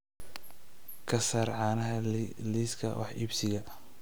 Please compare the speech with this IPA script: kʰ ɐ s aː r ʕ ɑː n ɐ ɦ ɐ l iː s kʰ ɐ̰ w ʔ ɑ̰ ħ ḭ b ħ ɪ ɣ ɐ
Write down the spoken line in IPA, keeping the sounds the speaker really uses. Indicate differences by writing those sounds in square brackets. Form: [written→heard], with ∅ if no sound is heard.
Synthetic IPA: kʰ ɐ s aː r ʕ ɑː n ɐ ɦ ɐ l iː s kʰ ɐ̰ w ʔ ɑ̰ ħ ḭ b [ħ→s] ɪ ɣ ɐ